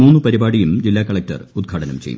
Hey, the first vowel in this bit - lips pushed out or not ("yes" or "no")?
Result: yes